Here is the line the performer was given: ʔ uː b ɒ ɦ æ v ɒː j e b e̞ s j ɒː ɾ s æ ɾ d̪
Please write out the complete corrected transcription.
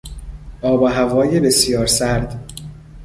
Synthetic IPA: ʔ ɒː b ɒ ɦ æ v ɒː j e b e̞ s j ɒː ɾ s æ ɾ d̪